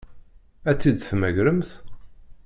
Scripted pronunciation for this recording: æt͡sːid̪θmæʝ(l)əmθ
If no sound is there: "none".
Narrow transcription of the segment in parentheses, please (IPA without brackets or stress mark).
ɾ